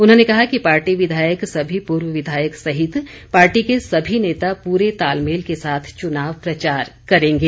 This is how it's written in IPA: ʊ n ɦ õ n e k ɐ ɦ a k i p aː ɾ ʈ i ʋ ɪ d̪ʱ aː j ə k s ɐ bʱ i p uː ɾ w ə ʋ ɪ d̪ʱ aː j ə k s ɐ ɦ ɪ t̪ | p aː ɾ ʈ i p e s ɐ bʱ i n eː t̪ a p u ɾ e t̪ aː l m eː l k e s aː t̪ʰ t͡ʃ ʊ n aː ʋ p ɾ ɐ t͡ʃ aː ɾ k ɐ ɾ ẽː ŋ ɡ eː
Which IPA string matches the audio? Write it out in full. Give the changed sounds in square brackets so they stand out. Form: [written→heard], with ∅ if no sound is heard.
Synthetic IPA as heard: ʊ n ɦ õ n e k ɐ ɦ a k i p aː ɾ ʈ i ʋ ɪ d̪ʱ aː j ə k s ɐ bʱ i p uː ɾ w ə ʋ ɪ d̪ʱ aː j ə k s ɐ ɦ ɪ t̪ | p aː ɾ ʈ i [p→k] e s ɐ bʱ i n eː t̪ a p [u→uː] ɾ e t̪ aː l m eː l k e s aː t̪ʰ t͡ʃ ʊ n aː ʋ p ɾ ɐ t͡ʃ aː ɾ k ɐ ɾ ẽː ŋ ɡ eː